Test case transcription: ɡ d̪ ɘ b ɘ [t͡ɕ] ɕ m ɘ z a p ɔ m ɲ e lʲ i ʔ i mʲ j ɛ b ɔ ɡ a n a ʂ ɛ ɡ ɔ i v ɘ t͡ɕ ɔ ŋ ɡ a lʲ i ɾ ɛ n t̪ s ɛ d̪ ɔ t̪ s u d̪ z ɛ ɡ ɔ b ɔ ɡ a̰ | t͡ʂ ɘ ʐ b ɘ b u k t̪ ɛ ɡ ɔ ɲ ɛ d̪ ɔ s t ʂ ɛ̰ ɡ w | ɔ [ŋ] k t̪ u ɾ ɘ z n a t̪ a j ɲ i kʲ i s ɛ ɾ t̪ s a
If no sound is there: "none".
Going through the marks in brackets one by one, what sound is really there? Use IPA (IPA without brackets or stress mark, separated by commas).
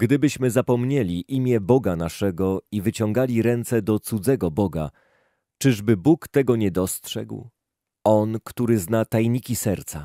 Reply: none, n